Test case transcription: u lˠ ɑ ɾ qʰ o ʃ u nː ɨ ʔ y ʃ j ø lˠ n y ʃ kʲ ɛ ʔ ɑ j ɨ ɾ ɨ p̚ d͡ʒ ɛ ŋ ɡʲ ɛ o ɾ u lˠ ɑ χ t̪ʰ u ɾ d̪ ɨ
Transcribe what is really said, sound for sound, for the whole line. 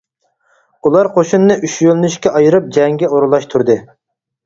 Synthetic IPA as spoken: u lˠ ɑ ɾ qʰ o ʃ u nː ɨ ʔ y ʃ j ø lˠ n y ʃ kʲ ɛ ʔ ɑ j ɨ ɾ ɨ p̚ d͡ʒ ɛ ŋ ɡʲ ɛ o ɾ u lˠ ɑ ʃ t̪ʰ u ɾ d̪ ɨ